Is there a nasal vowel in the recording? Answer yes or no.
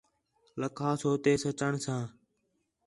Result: yes